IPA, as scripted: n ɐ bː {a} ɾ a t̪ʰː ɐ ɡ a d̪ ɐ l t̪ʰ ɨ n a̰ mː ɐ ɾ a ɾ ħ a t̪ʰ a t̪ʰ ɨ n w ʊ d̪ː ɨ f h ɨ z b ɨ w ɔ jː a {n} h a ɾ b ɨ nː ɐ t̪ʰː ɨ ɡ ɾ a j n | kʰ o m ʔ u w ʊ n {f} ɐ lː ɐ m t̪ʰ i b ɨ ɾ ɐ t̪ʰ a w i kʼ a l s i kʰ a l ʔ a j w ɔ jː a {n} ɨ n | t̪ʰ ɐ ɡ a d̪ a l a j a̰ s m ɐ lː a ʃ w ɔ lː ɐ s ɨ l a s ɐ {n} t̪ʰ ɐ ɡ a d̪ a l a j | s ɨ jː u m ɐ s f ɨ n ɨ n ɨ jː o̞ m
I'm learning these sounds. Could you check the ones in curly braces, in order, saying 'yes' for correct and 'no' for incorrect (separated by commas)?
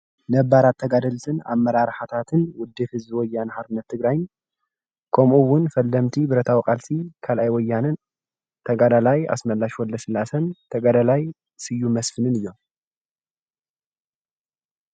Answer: yes, yes, yes, yes, yes